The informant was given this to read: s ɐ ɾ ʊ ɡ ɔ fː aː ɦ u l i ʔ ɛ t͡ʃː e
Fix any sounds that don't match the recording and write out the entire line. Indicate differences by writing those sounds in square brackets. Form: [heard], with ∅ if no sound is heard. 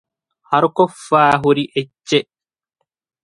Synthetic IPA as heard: [h] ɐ ɾ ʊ [k] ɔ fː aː ɦ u [ɾ] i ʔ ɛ t͡ʃː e